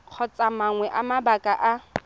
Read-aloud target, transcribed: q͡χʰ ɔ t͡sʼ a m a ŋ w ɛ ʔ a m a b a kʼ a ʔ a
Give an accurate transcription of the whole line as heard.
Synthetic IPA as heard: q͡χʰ ɔ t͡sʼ a m a ŋ w ɛ ʔ a m a b a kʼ a ʔ a